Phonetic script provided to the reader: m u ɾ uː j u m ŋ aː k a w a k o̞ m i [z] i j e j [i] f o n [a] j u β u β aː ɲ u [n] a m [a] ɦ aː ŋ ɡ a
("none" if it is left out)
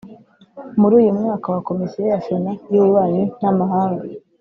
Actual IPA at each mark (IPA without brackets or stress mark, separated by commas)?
s, a, a, n, a